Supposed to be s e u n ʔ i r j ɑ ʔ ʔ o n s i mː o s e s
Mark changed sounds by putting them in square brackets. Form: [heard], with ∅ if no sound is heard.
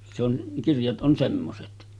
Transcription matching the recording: s e [o] n [k] i r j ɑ [t] ʔ o n s [e] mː o s e [t]